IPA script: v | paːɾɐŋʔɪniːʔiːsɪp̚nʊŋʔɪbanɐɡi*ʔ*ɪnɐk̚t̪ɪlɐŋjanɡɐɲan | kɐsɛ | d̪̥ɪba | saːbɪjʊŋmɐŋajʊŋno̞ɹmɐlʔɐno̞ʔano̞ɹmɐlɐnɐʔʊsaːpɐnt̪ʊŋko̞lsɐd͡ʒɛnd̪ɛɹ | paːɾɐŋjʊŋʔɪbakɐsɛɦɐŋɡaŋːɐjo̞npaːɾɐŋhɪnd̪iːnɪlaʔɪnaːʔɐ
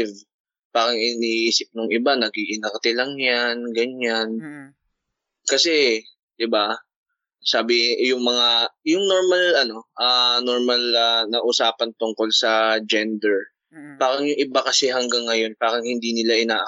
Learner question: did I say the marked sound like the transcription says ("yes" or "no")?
yes